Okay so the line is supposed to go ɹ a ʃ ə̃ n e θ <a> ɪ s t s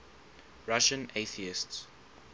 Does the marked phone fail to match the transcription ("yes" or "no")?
yes